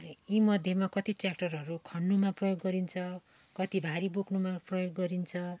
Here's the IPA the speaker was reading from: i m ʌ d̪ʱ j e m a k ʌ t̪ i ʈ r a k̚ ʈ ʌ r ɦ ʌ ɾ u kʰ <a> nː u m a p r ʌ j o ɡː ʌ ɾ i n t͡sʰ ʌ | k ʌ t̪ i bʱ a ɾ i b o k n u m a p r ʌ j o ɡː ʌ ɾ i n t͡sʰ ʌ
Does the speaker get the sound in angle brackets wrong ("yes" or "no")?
yes